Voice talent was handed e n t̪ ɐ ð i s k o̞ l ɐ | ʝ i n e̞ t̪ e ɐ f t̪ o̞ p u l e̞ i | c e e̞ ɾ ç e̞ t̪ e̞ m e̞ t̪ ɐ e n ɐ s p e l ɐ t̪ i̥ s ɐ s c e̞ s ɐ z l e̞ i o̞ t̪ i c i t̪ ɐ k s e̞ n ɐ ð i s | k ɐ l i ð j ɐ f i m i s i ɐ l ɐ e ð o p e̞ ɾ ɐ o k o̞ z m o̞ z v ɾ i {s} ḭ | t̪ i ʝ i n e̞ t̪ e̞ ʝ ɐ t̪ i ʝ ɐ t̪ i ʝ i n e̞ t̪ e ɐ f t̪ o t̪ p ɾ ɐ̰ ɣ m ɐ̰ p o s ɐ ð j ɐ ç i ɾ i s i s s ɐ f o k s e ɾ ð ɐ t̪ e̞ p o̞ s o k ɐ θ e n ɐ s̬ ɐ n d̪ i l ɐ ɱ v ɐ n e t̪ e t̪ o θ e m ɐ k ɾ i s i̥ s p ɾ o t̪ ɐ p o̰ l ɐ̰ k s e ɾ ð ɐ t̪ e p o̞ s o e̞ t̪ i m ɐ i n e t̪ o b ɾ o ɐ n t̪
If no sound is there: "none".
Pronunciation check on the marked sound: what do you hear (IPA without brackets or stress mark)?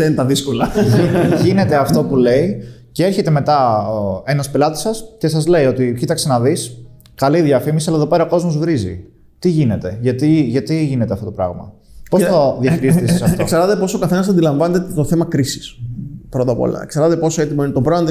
z